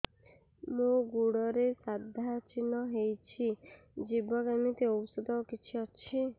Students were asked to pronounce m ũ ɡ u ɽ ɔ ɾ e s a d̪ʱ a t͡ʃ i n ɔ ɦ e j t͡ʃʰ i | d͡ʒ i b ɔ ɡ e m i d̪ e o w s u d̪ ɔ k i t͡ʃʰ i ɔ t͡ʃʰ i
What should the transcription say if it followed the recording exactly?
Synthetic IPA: m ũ ɡ u ɽ ɔ ɾ e s a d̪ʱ a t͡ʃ i n ɔ ɦ e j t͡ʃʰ i | d͡ʒ i b ɔ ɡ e m i t̪ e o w s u d̪ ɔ k i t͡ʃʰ i ɔ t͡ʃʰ i